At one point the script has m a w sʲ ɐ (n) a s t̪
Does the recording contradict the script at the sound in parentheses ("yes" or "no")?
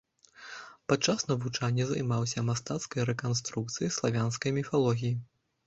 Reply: yes